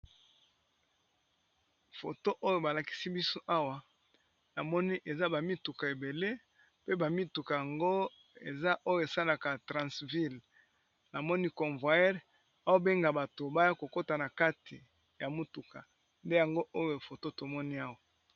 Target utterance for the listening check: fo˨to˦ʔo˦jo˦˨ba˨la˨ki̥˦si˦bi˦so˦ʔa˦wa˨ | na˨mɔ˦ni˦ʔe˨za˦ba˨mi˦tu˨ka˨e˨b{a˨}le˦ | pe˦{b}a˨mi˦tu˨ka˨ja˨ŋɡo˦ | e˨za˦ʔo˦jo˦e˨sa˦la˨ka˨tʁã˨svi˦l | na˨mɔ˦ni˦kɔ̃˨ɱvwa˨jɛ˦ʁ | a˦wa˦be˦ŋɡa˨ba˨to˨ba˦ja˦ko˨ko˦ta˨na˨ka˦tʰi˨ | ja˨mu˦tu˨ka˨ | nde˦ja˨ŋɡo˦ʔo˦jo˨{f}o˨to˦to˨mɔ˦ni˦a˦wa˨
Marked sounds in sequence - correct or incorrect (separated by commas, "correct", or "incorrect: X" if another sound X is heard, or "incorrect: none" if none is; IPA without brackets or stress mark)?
incorrect: e˨, correct, correct